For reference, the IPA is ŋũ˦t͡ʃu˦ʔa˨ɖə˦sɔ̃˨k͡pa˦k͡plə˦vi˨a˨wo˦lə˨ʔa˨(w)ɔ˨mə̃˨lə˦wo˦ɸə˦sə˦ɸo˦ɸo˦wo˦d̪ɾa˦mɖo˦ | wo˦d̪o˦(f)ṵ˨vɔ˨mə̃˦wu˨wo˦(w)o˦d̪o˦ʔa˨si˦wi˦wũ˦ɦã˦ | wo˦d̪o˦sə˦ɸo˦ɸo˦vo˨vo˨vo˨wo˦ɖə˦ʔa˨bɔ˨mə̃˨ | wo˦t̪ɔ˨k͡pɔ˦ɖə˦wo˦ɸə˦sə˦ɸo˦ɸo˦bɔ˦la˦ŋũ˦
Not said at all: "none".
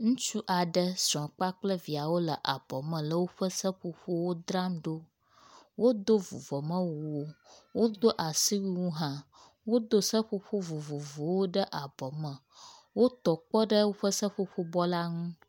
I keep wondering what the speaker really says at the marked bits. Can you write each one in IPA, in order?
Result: b, v, w

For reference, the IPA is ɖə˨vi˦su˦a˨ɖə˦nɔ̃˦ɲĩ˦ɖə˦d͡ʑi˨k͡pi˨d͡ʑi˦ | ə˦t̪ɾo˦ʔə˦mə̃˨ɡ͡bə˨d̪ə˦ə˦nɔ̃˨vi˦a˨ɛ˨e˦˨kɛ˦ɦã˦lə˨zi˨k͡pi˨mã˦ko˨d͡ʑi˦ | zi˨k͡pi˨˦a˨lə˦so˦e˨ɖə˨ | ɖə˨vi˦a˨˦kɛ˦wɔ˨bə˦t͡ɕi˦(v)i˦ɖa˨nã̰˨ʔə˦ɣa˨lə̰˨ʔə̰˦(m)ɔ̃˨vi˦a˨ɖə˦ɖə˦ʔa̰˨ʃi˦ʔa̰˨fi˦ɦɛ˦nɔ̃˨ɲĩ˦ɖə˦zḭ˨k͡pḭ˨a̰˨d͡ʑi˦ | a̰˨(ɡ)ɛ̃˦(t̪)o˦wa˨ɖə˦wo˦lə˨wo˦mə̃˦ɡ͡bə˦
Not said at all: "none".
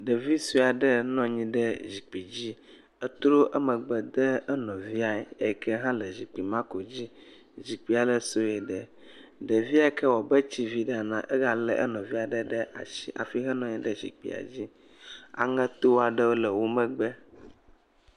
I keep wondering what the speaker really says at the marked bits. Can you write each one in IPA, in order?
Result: v, n, ŋ, t̪

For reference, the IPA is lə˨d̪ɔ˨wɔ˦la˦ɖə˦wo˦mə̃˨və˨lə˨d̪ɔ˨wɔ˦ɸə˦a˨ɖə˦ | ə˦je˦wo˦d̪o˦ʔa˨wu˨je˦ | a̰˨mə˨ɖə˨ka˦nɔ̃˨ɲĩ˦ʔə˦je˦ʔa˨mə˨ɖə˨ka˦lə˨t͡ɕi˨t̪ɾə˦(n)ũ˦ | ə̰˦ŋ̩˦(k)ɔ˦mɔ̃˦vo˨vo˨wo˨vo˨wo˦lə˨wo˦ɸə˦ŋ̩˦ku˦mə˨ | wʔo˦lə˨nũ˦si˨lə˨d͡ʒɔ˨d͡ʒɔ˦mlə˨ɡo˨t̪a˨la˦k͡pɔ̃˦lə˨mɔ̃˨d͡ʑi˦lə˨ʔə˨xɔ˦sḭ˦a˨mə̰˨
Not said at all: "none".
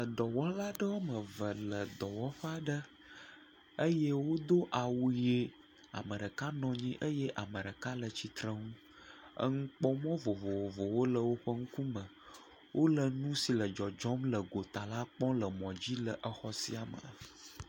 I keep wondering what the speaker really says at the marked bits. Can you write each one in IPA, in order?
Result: ŋ, k͡p

